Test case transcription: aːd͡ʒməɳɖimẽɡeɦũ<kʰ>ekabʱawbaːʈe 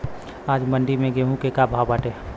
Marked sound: incorrect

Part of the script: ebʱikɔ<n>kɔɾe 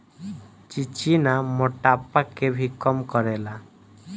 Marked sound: incorrect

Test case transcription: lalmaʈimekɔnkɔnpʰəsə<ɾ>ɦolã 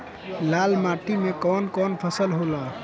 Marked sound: incorrect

